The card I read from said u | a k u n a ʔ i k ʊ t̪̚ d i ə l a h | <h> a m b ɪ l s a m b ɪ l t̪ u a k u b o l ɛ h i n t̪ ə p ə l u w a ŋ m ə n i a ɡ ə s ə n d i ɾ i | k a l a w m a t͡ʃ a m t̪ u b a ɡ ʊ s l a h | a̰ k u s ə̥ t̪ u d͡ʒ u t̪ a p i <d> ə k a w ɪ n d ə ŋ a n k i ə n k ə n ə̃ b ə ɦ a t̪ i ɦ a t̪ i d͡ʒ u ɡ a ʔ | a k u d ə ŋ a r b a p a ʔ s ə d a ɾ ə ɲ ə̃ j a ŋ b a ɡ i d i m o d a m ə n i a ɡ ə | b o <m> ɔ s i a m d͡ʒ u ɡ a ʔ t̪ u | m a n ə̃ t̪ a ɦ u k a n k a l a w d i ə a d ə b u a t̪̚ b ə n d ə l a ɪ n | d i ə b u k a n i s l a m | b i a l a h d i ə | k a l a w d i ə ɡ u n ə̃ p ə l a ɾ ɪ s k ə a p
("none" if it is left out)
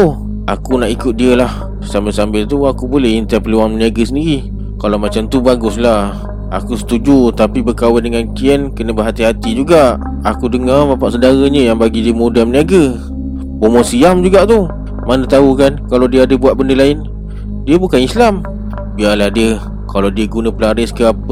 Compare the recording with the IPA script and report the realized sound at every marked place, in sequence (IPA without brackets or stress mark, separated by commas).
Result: s, b, m